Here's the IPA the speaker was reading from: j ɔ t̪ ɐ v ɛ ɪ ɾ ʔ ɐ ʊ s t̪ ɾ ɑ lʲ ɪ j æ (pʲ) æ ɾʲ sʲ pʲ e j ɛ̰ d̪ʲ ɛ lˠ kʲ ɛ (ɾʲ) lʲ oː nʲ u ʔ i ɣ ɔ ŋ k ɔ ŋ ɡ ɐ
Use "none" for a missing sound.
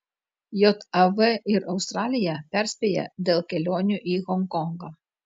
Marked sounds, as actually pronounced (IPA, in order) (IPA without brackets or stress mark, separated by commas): pʲ, none